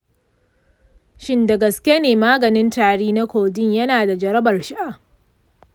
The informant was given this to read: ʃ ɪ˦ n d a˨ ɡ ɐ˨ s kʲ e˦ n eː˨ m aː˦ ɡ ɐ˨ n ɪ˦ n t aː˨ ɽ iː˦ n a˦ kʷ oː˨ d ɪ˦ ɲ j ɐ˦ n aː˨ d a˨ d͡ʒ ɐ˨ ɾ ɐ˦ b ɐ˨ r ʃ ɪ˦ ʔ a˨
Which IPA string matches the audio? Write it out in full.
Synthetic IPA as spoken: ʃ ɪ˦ n d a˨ ɡ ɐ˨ s kʲ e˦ n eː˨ m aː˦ ɡ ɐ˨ n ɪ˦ n t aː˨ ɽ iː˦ n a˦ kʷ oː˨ d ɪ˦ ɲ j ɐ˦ n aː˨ d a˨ d͡ʒ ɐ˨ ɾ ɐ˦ b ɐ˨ r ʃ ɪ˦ ʔ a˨